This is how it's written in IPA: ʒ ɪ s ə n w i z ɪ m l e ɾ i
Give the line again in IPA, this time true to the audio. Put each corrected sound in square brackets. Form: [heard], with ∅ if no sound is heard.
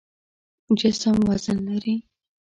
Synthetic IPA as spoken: [d͡ʒ] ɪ s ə [m] w [a] z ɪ [n] l [a] ɾ i